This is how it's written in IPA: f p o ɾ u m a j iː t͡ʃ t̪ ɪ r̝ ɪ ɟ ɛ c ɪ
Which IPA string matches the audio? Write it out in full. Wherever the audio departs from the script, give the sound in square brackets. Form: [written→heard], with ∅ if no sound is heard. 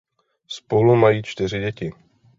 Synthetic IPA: [f→s] p o [ɾ→l] u m a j iː t͡ʃ t̪ ɪ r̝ ɪ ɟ ɛ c ɪ